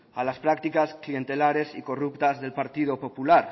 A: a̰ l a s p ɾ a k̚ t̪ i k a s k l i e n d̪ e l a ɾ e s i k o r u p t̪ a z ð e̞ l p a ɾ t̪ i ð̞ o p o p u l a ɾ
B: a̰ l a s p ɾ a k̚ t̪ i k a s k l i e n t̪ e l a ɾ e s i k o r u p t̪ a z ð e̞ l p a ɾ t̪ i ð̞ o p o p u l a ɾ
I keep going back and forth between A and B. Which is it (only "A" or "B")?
B